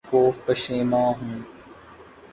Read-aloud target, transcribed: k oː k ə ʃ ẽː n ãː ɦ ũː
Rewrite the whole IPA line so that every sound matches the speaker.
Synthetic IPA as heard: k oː p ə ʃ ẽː m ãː ɦ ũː